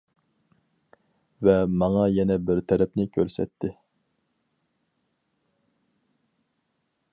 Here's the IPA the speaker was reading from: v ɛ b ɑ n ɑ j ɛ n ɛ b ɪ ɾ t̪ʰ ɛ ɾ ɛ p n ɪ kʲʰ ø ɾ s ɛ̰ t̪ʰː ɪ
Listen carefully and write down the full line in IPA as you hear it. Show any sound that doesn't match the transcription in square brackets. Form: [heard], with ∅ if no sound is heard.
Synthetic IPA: v ɛ [m] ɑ [ŋ] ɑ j ɛ n ɛ b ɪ ɾ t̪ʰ ɛ ɾ ɛ p n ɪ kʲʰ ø ɾ s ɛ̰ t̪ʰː ɪ

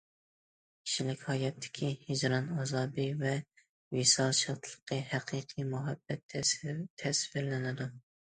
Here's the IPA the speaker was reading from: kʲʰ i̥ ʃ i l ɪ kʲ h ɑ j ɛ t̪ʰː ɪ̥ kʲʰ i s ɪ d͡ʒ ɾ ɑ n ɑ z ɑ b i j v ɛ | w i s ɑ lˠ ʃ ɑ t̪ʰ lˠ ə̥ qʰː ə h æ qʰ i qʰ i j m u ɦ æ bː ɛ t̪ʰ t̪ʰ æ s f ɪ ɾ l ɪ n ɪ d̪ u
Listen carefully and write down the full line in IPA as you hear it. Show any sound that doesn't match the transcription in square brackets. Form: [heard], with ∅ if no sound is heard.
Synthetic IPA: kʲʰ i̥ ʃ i l ɪ kʲ h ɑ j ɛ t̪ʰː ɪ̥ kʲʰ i [h] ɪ d͡ʒ ɾ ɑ n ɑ z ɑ b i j v ɛ | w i s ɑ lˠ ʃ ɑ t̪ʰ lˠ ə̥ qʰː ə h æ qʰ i qʰ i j m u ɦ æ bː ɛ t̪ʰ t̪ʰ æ s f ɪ ɾ l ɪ n ɪ d̪ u

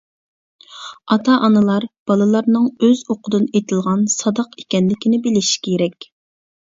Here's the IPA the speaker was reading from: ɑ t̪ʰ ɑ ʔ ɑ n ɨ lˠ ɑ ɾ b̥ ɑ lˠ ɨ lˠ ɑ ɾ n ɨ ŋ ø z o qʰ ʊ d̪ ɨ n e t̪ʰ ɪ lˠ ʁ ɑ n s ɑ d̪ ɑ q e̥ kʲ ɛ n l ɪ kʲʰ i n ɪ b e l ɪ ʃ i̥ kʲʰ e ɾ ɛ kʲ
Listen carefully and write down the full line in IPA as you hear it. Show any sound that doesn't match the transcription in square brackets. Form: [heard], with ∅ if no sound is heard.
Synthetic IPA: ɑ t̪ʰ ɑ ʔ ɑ n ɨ lˠ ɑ ɾ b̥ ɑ lˠ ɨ lˠ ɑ ɾ n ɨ ŋ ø z o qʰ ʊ d̪ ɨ n e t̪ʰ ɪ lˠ ʁ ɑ n s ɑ d̪ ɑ q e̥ kʲ ɛ n l ɪ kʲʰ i n ɪ b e l ɪ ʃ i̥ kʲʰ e ɾ ɛ kʲ

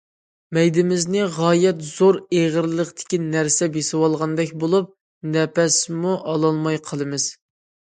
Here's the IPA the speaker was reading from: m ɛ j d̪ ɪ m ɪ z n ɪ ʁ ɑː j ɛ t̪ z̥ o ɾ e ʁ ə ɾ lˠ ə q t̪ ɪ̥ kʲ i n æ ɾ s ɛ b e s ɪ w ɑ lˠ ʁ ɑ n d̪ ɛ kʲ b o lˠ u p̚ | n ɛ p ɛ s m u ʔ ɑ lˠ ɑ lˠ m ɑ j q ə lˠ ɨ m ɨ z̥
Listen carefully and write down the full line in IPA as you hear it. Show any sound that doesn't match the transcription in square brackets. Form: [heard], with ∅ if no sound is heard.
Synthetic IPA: m ɛ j d̪ ɪ m ɪ z n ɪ ʁ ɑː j ɛ t̪ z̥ o ɾ e ʁ ə ɾ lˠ ə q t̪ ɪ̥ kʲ i n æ ɾ s ɛ b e s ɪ w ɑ lˠ ʁ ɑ n d̪ ɛ kʲ b o lˠ u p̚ | n ɛ p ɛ s m u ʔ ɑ lˠ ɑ lˠ m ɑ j [qʰ] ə lˠ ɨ m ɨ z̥

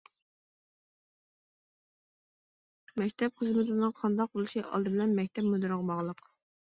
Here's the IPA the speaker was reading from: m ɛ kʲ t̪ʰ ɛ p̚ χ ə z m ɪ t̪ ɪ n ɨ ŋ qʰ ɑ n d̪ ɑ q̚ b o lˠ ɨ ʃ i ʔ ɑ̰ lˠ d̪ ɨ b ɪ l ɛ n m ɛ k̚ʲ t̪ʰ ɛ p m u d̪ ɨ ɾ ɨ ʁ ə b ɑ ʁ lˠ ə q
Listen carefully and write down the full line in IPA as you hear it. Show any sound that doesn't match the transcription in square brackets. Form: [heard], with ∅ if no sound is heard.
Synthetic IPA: m ɛ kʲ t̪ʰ ɛ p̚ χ ə z m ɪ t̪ ɪ n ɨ ŋ qʰ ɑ n d̪ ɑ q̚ b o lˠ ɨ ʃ i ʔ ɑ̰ lˠ d̪ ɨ b ɪ l ɛ n m ɛ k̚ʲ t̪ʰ ɛ p m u d̪ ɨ ɾ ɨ ʁ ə b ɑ ʁ lˠ ə q

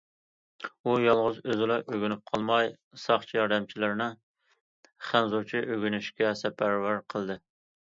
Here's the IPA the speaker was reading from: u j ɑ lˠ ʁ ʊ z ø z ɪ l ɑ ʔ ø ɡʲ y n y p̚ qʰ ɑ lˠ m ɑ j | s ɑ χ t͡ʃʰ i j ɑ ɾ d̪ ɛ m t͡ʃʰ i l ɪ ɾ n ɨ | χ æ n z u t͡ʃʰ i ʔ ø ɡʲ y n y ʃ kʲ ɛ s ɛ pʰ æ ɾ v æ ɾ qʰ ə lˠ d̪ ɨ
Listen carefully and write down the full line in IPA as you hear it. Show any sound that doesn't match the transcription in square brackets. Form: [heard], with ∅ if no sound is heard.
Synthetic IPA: u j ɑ lˠ ʁ ʊ z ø z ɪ l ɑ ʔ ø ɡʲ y n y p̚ qʰ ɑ lˠ m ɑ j | s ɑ χ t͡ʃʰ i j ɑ ɾ d̪ ɛ m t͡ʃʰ i l ɪ ɾ n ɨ | χ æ n z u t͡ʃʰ i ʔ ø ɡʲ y n y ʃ kʲ ɛ s ɛ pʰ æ ɾ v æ ɾ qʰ ə lˠ d̪ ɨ

